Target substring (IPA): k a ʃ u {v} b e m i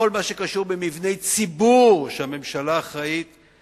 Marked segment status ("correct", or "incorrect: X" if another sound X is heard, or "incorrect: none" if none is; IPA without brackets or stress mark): incorrect: ʁ